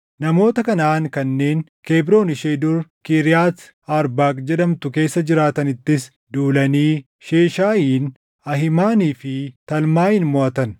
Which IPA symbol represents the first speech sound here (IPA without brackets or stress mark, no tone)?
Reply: n